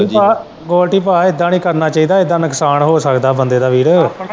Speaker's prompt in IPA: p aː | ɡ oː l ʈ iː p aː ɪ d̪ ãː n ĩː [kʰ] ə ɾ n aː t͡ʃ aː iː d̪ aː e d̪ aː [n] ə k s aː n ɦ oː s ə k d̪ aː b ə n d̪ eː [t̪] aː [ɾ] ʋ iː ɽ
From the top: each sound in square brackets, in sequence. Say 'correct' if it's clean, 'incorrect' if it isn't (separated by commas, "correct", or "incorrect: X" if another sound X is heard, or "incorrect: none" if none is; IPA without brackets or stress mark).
incorrect: k, correct, incorrect: d̪, incorrect: none